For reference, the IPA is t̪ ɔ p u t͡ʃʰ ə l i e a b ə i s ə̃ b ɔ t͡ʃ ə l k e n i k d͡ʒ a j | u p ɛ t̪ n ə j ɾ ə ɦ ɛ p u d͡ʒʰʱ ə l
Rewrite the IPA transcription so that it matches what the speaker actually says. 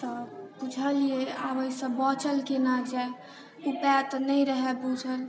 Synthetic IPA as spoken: t̪ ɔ p u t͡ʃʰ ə l i e a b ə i s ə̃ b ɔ t͡ʃ ə l k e n a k d͡ʒ a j | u p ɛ t̪ n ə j ɾ ə ɦ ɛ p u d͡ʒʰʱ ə l